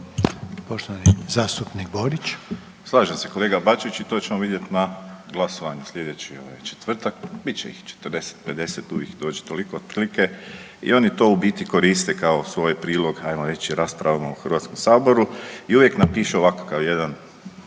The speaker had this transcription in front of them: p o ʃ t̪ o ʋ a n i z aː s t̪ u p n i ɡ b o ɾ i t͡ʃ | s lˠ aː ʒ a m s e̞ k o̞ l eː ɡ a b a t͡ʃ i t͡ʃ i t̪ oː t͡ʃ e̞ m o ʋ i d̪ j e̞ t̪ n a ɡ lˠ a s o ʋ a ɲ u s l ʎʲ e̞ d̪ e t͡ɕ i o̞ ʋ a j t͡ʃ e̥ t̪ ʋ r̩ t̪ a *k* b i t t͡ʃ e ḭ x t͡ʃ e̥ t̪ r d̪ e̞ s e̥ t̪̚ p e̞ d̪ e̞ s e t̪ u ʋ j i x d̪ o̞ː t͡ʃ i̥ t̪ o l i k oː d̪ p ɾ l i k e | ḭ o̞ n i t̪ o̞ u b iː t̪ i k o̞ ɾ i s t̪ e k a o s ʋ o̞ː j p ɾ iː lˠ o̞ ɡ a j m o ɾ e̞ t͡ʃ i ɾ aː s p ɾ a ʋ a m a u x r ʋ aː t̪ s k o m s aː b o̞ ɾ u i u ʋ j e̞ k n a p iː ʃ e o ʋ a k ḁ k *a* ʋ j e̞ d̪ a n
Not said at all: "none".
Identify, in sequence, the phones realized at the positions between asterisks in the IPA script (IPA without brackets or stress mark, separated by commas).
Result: k, a